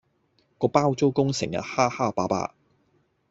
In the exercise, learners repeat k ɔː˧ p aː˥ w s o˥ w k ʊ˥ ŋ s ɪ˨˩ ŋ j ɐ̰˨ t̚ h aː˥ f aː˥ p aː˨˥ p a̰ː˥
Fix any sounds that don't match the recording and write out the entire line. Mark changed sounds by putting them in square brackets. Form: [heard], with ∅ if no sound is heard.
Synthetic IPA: k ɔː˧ p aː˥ w [t͡s] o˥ w k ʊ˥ ŋ s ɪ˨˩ ŋ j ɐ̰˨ t̚ h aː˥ [h] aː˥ p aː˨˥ p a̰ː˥